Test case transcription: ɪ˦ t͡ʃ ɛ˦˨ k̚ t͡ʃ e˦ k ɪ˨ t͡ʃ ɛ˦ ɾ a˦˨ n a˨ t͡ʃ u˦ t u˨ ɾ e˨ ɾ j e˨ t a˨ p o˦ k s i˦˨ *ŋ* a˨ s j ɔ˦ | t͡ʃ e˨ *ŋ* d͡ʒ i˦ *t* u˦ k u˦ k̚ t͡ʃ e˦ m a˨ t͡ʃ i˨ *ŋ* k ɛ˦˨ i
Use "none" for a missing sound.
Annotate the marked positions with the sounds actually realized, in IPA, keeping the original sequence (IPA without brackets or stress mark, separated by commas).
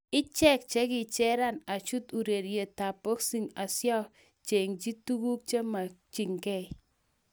ŋ, ŋ, t, ŋ